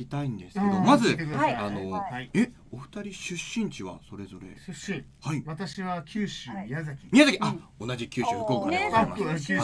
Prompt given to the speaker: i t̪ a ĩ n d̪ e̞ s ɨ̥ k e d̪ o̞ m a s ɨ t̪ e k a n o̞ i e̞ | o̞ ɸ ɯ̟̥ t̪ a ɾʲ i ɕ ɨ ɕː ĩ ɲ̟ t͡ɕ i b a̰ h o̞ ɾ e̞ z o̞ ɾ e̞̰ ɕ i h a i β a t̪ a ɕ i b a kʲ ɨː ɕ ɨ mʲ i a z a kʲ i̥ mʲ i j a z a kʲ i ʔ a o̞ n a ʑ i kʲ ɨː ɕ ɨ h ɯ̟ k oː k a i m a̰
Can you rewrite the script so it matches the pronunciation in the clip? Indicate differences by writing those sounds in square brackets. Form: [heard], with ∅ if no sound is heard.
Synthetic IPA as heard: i t̪ a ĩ n d̪ e̞ s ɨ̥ k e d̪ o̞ m a [z] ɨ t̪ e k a n o̞ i e̞ | o̞ ɸ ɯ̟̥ t̪ a ɾʲ i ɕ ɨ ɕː ĩ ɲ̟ t͡ɕ i [β] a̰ [s] o̞ ɾ e̞ z o̞ ɾ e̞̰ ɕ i h a i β a t̪ a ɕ i [β] a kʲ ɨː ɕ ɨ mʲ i a z a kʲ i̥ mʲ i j a z a kʲ i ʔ a o̞ n a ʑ i kʲ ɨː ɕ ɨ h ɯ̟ k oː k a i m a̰